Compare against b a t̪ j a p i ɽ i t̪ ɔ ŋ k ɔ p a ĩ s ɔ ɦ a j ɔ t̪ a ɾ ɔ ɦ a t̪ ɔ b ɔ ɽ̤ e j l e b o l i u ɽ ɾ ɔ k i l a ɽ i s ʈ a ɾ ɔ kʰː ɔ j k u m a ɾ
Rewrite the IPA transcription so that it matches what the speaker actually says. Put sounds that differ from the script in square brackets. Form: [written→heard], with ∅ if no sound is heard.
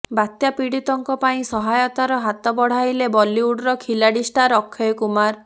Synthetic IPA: b a t̪ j a p i ɽ i t̪ ɔ ŋ k ɔ p a ĩ s ɔ ɦ a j ɔ t̪ a ɾ ɔ ɦ a t̪ ɔ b ɔ ɽ̤ [e→a] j l e b [o→ɔ] l i u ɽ ɾ ɔ [k→kʰ] i l a ɽ i s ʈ a ɾ ɔ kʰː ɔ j k u m a ɾ